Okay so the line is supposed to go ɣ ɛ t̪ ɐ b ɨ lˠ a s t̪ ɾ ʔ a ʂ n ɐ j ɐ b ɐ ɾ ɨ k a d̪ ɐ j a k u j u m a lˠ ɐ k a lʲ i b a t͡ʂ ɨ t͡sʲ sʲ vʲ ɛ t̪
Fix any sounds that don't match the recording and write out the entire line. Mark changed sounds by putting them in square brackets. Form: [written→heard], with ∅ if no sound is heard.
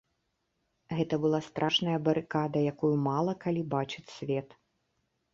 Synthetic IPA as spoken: ɣ ɛ t̪ ɐ b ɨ lˠ a s t̪ ɾ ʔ a ʂ n ɐ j ɐ b ɐ ɾ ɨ k a d̪ ɐ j a k u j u m a lˠ ɐ k a lʲ i b a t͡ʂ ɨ t͡sʲ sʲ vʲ ɛ t̪